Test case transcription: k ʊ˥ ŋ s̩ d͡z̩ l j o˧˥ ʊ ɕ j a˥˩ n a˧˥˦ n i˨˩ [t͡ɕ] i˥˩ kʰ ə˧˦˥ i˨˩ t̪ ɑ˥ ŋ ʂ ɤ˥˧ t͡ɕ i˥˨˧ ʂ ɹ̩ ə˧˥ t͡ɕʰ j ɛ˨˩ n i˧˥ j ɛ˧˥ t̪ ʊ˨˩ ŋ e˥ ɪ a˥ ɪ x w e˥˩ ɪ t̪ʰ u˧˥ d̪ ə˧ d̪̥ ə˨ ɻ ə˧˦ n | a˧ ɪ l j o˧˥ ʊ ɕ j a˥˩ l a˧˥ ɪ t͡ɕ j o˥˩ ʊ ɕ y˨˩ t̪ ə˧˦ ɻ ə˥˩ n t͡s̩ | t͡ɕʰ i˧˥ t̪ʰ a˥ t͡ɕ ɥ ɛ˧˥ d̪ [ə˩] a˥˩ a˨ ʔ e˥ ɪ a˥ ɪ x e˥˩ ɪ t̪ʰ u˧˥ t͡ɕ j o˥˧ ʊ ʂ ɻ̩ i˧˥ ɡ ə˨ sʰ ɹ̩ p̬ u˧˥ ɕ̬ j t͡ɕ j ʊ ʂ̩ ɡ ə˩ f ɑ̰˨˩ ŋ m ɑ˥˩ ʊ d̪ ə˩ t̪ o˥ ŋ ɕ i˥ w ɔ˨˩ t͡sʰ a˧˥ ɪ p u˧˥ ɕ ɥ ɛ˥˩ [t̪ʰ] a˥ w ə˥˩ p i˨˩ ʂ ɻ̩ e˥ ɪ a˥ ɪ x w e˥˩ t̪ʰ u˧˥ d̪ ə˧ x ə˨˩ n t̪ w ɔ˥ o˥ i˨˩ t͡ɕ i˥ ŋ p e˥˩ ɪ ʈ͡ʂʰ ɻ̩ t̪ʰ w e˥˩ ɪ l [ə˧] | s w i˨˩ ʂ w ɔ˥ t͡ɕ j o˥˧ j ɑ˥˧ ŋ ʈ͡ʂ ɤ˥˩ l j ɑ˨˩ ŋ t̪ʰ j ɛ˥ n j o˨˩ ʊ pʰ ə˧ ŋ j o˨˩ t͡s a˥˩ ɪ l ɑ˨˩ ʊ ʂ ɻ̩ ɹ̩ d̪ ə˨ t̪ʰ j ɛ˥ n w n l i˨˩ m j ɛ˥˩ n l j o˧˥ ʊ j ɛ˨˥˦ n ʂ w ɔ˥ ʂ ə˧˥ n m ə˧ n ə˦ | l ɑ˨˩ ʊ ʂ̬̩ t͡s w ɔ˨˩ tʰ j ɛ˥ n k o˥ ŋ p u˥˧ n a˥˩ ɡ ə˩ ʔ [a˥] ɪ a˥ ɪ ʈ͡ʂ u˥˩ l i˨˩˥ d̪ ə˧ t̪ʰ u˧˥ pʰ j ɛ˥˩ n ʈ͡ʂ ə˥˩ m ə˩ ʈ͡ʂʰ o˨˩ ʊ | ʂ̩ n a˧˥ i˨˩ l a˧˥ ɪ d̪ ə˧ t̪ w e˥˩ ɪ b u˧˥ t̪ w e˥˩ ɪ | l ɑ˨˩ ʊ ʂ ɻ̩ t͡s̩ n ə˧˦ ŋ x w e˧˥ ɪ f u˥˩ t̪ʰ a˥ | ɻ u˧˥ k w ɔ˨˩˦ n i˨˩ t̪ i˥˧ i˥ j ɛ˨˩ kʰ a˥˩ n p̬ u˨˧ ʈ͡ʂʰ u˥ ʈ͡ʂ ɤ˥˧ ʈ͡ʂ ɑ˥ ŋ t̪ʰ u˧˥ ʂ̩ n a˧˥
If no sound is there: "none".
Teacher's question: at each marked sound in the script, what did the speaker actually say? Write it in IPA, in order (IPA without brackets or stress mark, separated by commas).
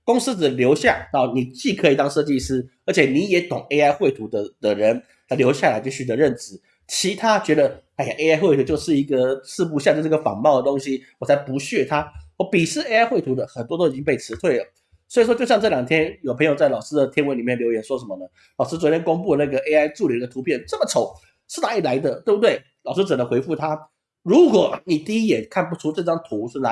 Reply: t͡ɕ, ə˧, t̪ʰ, ə˩, e˥